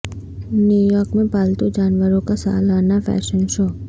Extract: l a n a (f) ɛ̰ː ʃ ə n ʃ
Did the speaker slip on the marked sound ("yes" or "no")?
no